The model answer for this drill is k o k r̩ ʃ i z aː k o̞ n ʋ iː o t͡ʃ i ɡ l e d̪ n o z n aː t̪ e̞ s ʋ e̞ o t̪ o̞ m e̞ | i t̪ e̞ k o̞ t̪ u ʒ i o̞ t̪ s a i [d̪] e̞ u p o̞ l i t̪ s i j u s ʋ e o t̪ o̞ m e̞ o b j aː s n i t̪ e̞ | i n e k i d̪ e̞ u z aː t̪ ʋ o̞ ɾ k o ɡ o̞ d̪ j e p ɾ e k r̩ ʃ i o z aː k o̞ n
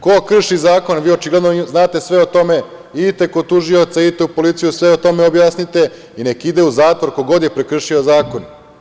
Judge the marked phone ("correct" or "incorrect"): incorrect